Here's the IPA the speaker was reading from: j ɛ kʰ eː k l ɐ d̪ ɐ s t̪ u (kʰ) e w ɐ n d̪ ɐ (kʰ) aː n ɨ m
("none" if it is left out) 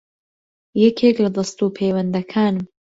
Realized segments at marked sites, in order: pʰ, kʰ

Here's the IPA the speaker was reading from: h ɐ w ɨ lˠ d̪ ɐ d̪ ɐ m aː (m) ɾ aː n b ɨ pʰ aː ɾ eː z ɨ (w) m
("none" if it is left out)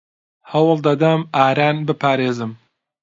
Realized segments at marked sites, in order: none, none

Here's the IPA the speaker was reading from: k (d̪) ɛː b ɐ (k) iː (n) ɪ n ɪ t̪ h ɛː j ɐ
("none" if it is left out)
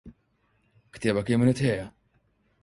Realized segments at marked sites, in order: t̪, k, m

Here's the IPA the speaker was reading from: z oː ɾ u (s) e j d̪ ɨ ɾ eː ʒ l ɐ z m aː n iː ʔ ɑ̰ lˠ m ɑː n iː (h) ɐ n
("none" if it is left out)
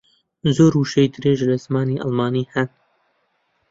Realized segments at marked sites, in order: ʃ, h

